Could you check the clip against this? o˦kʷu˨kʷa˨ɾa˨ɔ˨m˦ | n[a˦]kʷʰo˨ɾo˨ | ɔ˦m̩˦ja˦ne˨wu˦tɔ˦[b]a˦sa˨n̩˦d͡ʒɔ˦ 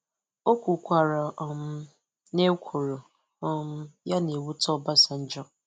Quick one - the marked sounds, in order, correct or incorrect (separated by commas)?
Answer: incorrect, correct